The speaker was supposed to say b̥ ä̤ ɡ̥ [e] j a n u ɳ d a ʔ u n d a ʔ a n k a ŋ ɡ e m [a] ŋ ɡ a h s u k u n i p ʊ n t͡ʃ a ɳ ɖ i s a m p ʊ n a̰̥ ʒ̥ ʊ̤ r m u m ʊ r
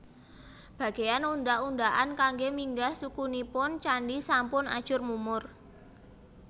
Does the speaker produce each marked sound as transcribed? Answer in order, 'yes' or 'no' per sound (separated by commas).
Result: yes, no